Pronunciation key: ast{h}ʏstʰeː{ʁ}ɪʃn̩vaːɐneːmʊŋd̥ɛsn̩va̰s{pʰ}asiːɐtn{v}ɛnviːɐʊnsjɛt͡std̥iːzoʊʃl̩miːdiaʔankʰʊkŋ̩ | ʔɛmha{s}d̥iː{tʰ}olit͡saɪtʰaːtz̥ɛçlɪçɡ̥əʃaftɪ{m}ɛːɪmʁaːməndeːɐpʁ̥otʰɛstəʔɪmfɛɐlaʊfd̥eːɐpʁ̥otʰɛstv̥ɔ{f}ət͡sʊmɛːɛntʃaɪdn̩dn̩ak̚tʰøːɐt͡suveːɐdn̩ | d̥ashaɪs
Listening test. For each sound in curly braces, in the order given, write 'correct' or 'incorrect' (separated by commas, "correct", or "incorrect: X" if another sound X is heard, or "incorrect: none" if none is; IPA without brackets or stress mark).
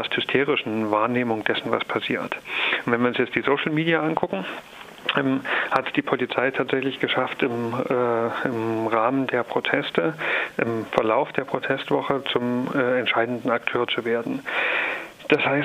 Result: correct, correct, correct, correct, incorrect: t, incorrect: pʰ, correct, incorrect: χ